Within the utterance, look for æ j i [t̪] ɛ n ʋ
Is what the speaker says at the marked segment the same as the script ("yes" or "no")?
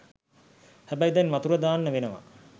no